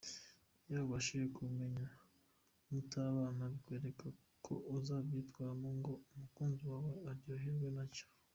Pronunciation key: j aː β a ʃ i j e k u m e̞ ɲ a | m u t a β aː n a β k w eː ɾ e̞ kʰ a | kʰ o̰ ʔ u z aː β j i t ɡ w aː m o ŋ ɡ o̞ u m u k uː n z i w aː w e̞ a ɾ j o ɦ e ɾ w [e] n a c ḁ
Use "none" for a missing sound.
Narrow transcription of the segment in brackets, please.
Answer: e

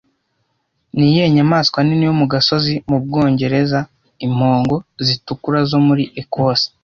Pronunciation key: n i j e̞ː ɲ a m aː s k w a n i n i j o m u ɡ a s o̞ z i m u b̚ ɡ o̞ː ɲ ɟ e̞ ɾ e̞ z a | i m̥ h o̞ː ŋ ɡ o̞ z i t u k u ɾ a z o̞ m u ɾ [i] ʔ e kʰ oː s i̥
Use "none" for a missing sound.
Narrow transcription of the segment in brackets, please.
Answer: i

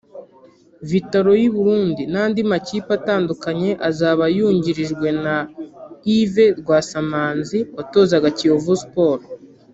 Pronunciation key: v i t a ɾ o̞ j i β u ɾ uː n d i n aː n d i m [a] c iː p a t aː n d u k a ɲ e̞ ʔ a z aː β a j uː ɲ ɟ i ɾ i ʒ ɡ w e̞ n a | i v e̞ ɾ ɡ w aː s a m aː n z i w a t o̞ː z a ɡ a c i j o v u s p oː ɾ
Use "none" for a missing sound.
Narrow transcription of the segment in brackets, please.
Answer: a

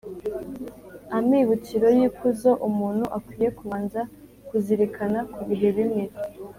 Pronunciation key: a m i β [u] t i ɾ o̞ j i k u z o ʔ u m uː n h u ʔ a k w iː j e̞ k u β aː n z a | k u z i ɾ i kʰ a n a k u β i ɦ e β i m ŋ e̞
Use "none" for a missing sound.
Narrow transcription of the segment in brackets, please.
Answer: u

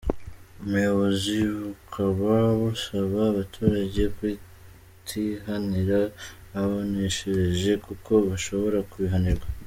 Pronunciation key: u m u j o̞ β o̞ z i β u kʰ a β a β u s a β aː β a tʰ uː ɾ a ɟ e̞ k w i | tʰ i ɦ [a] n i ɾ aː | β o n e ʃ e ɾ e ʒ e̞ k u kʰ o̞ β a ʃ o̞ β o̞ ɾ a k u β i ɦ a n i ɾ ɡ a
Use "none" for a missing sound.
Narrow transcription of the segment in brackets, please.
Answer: a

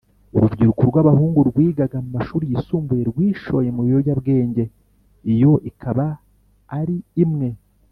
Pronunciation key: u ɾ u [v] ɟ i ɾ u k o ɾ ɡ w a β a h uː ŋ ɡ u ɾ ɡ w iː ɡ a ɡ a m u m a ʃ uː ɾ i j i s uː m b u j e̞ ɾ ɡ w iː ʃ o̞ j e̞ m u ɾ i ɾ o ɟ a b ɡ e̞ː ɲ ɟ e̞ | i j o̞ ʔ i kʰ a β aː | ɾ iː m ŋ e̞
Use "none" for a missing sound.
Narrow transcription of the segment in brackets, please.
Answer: v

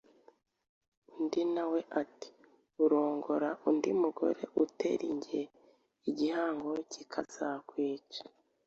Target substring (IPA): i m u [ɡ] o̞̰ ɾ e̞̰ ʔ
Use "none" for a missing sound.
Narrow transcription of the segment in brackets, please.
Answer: ɡ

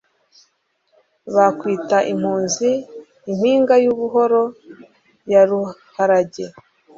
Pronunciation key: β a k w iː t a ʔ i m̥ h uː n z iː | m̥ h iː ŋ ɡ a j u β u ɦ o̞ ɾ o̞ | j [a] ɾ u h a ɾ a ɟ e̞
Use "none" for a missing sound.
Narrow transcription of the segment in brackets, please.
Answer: a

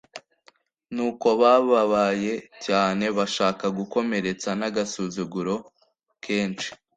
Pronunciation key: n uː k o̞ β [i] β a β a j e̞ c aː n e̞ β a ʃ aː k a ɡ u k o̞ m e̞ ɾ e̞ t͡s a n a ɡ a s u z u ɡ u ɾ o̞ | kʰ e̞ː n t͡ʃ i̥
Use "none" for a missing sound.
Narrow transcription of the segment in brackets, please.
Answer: a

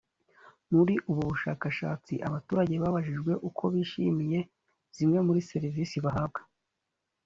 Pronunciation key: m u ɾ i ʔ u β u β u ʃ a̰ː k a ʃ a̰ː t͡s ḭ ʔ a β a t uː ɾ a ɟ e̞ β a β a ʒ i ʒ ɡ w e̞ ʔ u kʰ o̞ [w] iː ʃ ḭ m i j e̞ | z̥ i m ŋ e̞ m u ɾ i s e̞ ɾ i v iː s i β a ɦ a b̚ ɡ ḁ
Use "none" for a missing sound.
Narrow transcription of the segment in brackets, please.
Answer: β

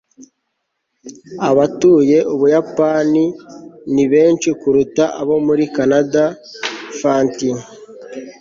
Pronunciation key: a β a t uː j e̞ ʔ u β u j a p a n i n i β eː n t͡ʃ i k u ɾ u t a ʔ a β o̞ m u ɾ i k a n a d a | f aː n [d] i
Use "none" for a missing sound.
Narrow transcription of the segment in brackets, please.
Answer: t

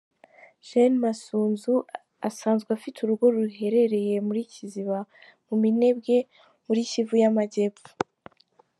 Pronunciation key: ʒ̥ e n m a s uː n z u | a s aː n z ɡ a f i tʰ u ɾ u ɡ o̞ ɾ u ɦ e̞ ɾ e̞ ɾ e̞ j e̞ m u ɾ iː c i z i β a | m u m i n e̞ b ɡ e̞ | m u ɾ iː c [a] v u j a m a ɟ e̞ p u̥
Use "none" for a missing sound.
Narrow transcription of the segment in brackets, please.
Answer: i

